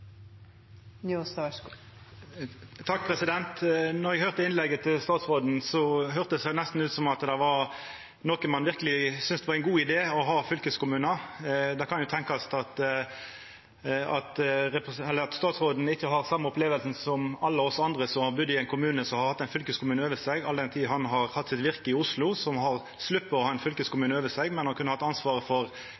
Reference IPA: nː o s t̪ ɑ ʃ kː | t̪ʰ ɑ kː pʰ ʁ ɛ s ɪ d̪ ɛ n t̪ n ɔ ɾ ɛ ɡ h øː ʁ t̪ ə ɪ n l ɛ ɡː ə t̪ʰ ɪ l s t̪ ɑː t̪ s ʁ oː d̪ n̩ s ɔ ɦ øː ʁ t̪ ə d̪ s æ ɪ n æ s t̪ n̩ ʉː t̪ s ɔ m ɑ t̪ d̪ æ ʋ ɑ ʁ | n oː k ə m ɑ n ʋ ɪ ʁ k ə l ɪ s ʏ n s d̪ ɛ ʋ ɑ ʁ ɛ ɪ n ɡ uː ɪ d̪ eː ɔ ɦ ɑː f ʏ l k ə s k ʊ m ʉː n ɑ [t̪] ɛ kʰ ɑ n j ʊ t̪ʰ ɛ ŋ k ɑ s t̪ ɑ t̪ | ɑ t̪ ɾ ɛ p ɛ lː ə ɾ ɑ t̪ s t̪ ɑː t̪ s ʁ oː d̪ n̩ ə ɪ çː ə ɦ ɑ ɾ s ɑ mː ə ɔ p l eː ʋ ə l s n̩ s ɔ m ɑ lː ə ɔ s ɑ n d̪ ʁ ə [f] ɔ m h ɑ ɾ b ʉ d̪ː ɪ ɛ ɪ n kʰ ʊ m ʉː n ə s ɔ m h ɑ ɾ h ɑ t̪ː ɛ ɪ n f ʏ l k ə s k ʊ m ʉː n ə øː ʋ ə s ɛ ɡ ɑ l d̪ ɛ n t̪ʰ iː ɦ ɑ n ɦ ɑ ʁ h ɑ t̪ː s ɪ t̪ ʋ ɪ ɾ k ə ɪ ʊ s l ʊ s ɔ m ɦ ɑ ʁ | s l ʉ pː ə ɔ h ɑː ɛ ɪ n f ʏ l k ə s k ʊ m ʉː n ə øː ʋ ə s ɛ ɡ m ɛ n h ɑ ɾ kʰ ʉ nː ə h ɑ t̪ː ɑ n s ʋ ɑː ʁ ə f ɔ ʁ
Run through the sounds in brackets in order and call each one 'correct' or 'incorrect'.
incorrect, incorrect

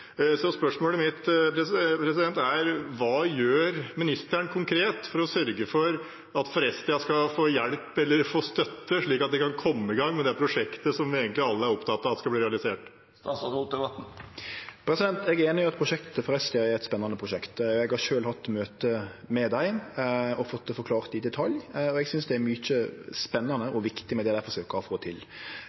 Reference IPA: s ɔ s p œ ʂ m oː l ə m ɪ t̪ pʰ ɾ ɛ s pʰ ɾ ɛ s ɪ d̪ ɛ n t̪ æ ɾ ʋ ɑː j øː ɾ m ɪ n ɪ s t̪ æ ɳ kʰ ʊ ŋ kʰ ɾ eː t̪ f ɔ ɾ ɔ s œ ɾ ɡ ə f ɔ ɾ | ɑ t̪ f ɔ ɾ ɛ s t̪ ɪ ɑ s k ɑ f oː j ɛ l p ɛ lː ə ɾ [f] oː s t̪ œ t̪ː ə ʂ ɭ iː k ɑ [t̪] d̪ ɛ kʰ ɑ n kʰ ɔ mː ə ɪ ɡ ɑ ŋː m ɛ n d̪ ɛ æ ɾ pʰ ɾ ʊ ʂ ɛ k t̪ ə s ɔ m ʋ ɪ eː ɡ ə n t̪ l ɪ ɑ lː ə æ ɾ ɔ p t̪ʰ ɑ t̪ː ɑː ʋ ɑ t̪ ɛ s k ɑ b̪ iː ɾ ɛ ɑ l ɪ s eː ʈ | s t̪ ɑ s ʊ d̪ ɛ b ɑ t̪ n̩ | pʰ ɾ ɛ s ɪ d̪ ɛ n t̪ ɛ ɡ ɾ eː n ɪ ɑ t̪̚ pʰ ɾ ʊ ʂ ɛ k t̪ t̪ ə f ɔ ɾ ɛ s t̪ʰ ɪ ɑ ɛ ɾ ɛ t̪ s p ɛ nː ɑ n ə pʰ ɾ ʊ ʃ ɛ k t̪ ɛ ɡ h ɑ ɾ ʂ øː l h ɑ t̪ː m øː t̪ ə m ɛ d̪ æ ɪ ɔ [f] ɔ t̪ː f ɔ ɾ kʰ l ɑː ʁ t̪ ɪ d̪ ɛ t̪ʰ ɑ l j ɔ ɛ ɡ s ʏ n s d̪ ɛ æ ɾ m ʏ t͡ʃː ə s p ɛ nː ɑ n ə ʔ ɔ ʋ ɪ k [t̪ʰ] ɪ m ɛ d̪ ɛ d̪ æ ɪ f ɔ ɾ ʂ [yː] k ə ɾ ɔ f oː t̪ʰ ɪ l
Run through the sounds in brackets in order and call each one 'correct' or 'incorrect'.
correct, correct, correct, incorrect, incorrect

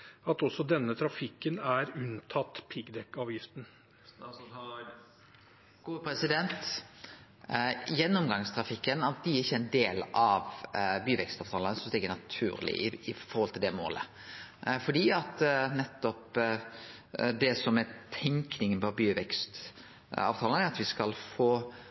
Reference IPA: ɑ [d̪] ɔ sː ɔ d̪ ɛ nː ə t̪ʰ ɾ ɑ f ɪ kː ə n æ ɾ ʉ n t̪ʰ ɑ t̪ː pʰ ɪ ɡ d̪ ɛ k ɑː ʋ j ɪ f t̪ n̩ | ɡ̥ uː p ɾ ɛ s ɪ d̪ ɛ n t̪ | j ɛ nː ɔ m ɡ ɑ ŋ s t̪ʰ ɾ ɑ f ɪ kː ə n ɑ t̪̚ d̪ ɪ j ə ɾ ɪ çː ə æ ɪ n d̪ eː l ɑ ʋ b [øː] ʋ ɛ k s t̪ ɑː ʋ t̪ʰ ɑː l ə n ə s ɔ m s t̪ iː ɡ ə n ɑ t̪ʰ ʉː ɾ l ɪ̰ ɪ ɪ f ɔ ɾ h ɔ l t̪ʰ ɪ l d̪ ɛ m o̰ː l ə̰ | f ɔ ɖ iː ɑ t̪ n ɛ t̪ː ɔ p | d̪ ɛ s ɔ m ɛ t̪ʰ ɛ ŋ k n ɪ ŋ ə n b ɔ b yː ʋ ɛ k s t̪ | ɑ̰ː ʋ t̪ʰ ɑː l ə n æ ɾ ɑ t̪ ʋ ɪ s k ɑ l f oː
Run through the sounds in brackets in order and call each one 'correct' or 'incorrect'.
incorrect, incorrect

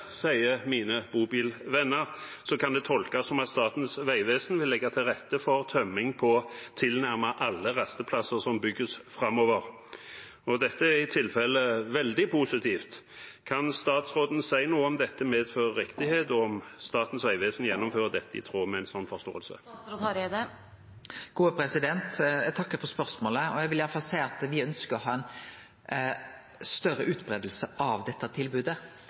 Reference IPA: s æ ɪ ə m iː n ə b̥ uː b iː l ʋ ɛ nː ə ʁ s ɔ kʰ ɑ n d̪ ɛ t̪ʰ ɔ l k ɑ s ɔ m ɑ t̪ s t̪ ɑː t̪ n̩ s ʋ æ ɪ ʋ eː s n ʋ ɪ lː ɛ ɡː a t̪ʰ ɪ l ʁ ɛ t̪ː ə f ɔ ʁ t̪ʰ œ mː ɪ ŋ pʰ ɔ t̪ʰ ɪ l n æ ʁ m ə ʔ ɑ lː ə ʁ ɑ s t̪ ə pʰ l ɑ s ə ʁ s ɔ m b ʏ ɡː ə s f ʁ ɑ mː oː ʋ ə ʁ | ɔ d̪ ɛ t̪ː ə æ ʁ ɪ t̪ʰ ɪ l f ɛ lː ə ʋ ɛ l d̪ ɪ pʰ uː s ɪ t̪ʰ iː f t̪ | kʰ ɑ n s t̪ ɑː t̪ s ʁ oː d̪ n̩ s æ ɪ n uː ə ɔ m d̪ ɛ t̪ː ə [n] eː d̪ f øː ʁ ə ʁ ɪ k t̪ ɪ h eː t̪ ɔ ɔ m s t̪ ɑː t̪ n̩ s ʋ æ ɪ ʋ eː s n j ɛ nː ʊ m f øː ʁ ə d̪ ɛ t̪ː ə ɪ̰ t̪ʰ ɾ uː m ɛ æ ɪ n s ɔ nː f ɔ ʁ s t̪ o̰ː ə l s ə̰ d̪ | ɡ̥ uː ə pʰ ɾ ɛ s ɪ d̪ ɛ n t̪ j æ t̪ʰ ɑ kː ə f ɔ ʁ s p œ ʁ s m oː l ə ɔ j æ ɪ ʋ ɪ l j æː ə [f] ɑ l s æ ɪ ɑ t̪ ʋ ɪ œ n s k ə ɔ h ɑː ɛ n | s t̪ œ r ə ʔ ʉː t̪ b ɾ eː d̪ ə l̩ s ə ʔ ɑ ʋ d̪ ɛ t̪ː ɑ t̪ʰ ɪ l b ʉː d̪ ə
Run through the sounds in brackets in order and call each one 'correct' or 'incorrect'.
incorrect, correct

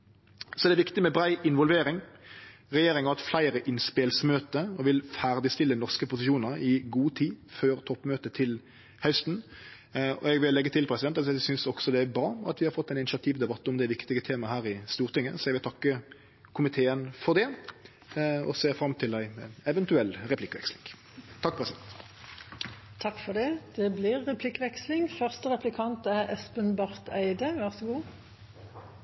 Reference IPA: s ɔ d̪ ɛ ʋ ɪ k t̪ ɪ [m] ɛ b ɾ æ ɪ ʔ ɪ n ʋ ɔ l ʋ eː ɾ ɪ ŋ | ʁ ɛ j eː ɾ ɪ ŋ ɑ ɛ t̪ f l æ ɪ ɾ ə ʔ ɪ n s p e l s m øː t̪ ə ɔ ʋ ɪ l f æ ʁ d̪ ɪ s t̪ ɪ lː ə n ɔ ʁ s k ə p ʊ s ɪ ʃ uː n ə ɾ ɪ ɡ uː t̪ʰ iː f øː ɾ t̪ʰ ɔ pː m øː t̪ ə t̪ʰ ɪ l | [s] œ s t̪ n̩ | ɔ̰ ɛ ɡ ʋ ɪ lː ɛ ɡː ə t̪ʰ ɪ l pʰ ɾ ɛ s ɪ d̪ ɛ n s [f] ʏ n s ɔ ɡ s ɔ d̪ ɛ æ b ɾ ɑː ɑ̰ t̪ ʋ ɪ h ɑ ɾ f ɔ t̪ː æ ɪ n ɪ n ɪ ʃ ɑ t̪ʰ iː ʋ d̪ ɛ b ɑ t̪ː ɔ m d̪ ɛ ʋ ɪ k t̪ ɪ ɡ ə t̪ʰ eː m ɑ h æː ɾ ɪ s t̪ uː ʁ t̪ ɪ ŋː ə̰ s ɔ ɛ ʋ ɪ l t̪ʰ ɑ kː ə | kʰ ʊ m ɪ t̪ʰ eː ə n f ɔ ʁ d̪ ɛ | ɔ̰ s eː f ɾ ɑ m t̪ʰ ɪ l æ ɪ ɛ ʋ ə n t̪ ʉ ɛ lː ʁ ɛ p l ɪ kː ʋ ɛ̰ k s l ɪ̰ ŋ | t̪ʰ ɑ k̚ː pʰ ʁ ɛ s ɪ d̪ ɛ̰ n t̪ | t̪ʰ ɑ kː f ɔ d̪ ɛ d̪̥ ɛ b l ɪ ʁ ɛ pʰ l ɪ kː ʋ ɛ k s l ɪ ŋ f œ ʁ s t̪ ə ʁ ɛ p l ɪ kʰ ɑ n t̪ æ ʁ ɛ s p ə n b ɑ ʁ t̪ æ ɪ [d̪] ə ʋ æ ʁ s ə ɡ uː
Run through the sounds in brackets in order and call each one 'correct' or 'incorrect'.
correct, incorrect, incorrect, correct

